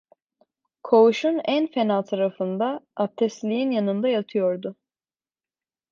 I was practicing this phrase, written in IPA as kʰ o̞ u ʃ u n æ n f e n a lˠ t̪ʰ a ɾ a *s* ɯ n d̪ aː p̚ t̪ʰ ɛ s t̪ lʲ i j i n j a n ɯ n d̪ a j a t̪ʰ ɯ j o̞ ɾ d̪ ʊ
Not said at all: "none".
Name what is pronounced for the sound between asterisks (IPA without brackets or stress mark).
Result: f